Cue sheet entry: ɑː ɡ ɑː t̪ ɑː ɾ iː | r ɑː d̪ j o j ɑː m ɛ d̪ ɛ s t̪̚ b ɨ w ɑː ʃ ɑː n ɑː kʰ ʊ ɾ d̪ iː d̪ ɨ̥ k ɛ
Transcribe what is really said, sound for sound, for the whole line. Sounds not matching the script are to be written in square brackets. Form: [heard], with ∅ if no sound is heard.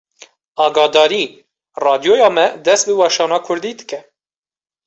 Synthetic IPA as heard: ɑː ɡ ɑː [d̪] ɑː ɾ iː | r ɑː d̪ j o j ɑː m ɛ d̪ ɛ s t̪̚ b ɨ w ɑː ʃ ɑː n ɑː kʰ ʊ ɾ d̪ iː d̪ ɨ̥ k ɛ